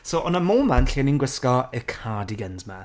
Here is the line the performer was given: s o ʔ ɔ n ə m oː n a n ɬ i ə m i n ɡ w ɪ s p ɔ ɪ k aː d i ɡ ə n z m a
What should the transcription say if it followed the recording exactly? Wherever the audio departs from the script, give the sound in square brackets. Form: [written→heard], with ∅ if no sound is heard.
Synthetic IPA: s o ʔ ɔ n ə m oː [n→m] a n ɬ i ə [m→n] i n ɡ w ɪ s [p→k] ɔ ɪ [k→kʰ] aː d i ɡ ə n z m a